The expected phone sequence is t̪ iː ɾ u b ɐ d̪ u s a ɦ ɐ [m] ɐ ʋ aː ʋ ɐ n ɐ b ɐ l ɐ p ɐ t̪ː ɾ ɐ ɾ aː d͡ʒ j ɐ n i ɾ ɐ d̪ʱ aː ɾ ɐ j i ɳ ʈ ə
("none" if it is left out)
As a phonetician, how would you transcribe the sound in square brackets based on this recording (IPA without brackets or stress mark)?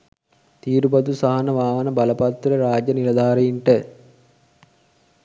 n